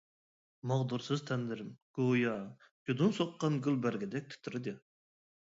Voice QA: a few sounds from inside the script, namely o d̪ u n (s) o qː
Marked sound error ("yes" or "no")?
no